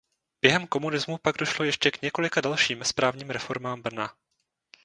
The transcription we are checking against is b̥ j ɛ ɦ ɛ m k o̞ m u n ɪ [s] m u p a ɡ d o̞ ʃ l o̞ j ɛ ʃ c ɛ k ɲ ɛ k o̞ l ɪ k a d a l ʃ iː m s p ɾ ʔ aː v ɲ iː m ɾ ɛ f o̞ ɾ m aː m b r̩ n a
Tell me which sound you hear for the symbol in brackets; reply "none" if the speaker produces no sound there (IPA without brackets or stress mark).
z